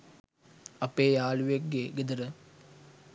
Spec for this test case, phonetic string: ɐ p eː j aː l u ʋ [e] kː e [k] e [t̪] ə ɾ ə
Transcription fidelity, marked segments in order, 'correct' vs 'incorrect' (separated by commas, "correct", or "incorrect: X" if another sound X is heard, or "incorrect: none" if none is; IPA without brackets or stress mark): correct, incorrect: ɡ, incorrect: d̪